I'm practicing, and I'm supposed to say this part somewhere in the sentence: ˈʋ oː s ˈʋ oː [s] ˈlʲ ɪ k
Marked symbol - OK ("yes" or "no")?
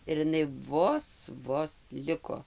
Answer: yes